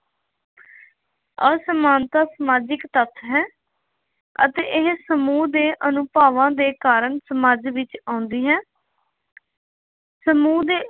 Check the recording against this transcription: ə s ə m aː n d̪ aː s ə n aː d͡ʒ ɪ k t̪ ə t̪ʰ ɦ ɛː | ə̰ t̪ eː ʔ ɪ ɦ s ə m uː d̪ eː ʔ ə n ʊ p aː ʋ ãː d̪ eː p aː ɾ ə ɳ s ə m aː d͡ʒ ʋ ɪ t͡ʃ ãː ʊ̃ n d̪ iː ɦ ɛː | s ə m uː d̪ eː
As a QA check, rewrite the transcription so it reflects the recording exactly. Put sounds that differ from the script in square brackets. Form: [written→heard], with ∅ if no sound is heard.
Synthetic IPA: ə s ə m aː n [d̪→t̪] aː s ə [n→m] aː d͡ʒ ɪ k t̪ ə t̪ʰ ɦ ɛː | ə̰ t̪ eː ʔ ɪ ɦ s ə m uː d̪ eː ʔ ə n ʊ p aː ʋ ãː d̪ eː [p→k] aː ɾ ə ɳ s ə m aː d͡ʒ ʋ ɪ t͡ʃ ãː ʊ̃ n d̪ iː ɦ ɛː | s ə m uː d̪ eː